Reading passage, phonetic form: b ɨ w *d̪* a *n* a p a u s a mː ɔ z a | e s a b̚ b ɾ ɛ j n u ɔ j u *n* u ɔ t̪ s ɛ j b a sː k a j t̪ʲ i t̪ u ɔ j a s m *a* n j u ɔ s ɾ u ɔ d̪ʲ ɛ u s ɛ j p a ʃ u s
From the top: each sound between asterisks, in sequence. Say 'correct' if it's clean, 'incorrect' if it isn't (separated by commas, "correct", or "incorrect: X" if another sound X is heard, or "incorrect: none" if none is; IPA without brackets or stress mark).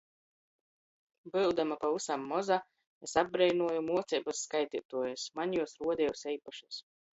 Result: correct, incorrect: m, incorrect: m, correct